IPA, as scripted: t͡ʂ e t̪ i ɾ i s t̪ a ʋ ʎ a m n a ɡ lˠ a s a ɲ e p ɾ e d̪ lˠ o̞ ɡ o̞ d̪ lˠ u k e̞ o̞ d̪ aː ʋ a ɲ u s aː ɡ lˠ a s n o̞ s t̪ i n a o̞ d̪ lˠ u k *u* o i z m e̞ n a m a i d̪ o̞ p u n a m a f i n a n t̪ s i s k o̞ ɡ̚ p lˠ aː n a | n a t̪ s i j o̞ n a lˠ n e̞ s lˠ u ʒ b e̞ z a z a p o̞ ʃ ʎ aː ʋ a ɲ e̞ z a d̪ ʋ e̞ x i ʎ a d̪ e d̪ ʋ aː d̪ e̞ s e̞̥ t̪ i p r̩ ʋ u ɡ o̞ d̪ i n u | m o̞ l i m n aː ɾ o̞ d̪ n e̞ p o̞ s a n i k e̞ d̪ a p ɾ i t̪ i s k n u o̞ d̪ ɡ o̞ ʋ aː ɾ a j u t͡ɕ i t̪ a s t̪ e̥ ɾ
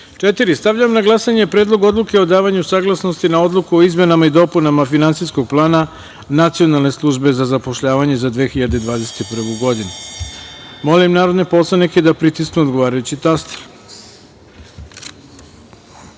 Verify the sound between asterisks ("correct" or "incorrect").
correct